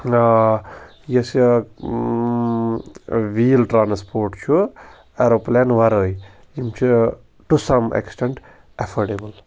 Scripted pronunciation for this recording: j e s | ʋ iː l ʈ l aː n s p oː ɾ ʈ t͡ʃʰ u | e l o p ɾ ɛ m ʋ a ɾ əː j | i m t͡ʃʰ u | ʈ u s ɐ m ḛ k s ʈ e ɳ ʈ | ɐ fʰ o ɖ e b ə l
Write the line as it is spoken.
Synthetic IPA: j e s | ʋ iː l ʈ ɾ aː n s p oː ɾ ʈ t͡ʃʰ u | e ɾ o p l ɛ n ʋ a ɾ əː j | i m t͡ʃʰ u | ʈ u s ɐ m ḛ k s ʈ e ɳ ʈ | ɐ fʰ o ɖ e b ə l